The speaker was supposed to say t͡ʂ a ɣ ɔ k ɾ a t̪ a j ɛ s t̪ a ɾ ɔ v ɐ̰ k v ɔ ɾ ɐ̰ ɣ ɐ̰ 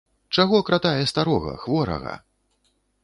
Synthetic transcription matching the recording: t͡ʂ a ɣ ɔ k ɾ a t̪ a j ɛ s t̪ a ɾ ɔ ɣ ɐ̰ x v ɔ ɾ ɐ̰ ɣ ɐ̰

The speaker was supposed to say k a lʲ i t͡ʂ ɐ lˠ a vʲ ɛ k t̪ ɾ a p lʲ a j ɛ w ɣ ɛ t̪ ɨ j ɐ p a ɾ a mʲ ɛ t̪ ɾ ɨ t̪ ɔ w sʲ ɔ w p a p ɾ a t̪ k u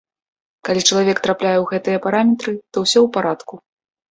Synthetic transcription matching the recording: k a lʲ i t͡ʂ ɐ lˠ a vʲ ɛ k t̪ ɾ a p lʲ a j ɛ w ɣ ɛ t̪ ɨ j ɐ p a ɾ a mʲ ɛ t̪ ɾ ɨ t̪ ɔ w sʲ ɔ w p a ɾ a t̪ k u

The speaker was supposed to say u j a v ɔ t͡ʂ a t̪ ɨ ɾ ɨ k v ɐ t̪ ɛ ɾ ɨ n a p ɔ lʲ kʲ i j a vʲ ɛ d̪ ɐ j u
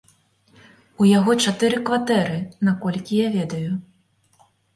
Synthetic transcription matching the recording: u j a ɣ ɔ t͡ʂ a t̪ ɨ ɾ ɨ k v a t̪ ɛ ɾ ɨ n a k ɔ lʲ kʲ i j a vʲ ɛ d̪ ɐ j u

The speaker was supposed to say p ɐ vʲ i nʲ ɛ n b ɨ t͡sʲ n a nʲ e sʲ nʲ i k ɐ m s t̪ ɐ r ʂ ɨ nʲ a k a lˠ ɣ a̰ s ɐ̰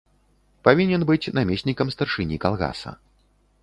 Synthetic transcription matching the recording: p a vʲ i nʲ ɛ n b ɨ t͡sʲ n a mʲ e sʲ nʲ i k ɐ m s t̪ ɐ r ʂ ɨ nʲ i k a lˠ ɣ a̰ s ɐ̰

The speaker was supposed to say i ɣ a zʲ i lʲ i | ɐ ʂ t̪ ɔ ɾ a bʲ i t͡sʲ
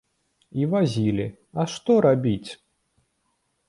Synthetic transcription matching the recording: i v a zʲ i lʲ i | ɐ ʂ t̪ ɔ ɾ a bʲ i t͡sʲ

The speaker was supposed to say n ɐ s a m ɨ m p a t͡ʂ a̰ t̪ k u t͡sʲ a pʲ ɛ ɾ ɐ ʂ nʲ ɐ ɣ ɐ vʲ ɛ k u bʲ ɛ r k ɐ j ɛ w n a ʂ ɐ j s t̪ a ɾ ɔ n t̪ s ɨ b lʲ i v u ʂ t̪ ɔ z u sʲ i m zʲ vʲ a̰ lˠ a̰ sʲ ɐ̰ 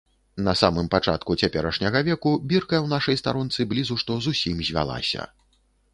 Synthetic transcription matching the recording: n ɐ s a m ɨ m p a t͡ʂ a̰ t̪ k u t͡sʲ a pʲ ɛ ɾ ɐ ʂ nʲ ɐ ɣ ɐ vʲ ɛ k u bʲ i r k ɐ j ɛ w n a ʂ ɐ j s t̪ a ɾ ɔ n t̪ s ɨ b lʲ i z u ʂ t̪ ɔ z u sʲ i m zʲ vʲ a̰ lˠ a̰ sʲ ɐ̰

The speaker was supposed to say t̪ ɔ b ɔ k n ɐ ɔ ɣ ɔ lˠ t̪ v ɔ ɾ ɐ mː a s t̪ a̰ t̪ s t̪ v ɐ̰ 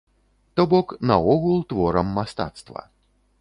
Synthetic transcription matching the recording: t̪ ɔ b ɔ k n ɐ ɔ ɣ u lˠ t̪ v ɔ ɾ ɐ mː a s t̪ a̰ t̪ s t̪ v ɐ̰

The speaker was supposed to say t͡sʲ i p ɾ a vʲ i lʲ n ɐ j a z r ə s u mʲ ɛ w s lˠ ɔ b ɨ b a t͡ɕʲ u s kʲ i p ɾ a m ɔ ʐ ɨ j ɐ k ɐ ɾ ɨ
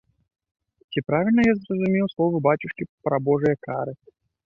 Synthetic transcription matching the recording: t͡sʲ i p ɾ a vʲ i lʲ n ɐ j a z r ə z u mʲ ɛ w s lˠ ɔ v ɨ b a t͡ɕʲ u ʂ kʲ i p ɾ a b ɔ ʐ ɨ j ɐ k a ɾ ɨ

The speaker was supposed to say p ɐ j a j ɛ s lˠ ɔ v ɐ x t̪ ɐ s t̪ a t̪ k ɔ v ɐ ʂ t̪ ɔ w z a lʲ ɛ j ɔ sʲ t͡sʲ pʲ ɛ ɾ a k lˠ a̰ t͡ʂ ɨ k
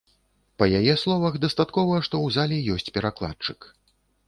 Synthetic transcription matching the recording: p ɐ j a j ɛ s lˠ ɔ v ɐ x d̪ ɐ s t̪ a t̪ k ɔ v ɐ ʂ t̪ ɔ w z a lʲ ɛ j ɔ sʲ t͡sʲ pʲ ɛ ɾ a k lˠ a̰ t͡ʂ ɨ k

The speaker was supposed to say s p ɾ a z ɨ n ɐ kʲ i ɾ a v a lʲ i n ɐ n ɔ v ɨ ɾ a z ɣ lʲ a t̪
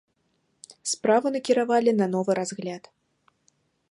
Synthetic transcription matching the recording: s p ɾ a v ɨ n ɐ kʲ i ɾ a v a lʲ i n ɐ n ɔ v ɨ ɾ a z ɣ lʲ a t̪

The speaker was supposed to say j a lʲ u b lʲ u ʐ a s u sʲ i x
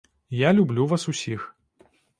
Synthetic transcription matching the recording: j a lʲ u b lʲ u v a s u sʲ i x

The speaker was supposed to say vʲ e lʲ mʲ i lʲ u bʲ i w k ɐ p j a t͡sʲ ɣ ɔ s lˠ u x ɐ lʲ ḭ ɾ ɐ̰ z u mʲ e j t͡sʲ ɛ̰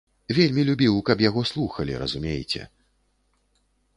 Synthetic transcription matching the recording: vʲ e lʲ mʲ i lʲ u bʲ i w k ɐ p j a ɣ ɔ s lˠ u x ɐ lʲ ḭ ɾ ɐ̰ z u mʲ e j t͡sʲ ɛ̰

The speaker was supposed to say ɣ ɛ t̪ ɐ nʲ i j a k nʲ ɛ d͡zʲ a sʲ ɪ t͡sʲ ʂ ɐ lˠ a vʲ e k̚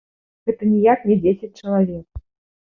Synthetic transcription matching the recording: ɣ ɛ t̪ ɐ nʲ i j a k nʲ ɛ d͡zʲ e sʲ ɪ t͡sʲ t͡ʂ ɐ lˠ a vʲ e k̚

